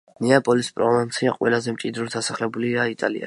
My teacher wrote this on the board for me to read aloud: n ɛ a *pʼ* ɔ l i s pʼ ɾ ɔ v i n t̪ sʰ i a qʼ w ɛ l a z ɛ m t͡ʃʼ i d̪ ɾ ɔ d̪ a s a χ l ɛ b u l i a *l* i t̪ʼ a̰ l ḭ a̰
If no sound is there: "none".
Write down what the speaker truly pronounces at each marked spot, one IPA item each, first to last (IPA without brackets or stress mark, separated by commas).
pʼ, none